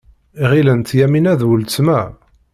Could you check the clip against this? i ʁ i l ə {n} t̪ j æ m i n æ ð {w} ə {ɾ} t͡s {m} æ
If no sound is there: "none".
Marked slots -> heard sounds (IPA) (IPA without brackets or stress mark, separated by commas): n, w, l, m